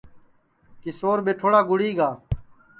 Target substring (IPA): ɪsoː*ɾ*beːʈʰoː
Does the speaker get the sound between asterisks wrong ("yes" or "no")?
no